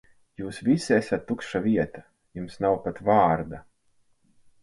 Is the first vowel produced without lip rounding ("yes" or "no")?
no